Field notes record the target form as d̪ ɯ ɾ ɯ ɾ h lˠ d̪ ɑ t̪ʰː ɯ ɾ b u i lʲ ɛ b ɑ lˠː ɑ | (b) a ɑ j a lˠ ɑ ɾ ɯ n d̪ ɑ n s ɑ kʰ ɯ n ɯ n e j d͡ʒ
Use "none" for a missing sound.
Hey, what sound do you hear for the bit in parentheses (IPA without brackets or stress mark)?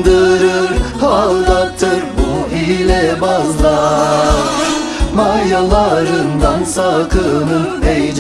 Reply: m